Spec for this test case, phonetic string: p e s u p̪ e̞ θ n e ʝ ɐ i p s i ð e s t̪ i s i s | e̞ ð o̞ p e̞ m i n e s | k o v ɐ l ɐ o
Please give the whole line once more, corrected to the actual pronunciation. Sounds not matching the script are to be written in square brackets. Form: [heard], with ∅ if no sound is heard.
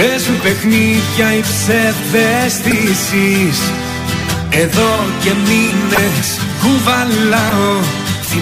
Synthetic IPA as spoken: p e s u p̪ e̞ [x] n [i] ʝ ɐ i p s [e] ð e s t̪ i s i s | e̞ ð o̞ [c] e̞ m i n e s | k [u] v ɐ l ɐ o